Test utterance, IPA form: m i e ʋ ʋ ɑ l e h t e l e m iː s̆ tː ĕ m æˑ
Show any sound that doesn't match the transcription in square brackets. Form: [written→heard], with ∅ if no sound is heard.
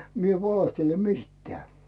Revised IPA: m i e ʋ ʋ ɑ l e h t e l e m [iː→i] s̆ tː ĕ [m→∅] æˑ

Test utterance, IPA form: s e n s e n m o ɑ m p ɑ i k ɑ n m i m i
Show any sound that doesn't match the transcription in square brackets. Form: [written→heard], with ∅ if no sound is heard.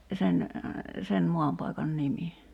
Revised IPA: s e n s e n m o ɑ m p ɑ i k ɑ n [m→n] i m i

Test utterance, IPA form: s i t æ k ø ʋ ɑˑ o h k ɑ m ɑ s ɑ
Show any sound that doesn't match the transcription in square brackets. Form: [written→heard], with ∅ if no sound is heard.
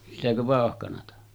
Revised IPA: s i t æ k ø ʋ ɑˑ o h k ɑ [m→n] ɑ [s→t] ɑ

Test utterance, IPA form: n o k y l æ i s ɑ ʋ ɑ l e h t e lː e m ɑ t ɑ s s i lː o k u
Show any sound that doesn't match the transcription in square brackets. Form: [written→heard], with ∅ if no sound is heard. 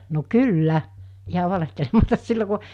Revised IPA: n o k y [l→lː] æ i [s→h] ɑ ʋ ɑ l e h t e [lː→l] e m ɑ t ɑ s s i lː o k u

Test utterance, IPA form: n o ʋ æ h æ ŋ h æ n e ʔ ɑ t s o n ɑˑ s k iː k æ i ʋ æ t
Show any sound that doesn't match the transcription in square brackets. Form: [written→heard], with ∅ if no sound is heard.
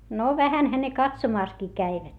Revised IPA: n o ʋ æ h æ [ŋ→n] h æ n e [ʔ→k] ɑ t s o [n→m] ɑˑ s k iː k æ i ʋ æ t

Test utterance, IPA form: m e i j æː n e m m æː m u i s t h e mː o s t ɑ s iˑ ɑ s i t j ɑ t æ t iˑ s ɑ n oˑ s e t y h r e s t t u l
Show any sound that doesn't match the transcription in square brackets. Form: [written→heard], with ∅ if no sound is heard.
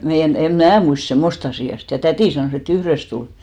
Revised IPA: m e i j [æː→æ] n e m m æː m u i s t [h→s] e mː o s t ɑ s iˑ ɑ s i t j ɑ t æ t iˑ s ɑ n oˑ s e t y h r e s t t u l

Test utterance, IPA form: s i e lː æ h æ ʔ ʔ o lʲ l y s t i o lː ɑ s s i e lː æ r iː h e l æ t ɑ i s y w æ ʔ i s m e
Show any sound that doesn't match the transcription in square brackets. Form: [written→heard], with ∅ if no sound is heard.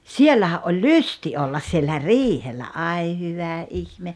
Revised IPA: s i e lː æ h æ ʔ ʔ o lʲ l y s t i o lː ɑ s s i e lː æ r iː h e [l→lː] æ [t→ʔ] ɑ i [s→h] y [w→ʋ] æ ʔ i [s→h] m e

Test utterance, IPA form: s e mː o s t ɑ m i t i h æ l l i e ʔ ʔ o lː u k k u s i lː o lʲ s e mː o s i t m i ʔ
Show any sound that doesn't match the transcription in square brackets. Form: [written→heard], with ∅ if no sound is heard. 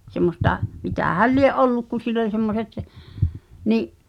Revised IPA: s e mː o s t ɑ m i t [i→æ] h æ l l i e ʔ ʔ o lː u k k u s i lː o lʲ s e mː o s [i→e] t [m→n] i ʔ

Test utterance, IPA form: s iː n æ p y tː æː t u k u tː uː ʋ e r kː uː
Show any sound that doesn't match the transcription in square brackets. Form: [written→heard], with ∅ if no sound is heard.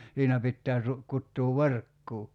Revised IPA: s iː n æ p [y→i] tː æː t u k u tː uː ʋ e r kː uː

